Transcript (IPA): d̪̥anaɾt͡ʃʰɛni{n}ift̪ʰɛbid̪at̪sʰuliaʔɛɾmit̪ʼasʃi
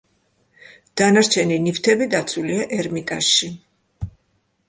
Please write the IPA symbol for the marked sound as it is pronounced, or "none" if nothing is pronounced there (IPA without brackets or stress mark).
n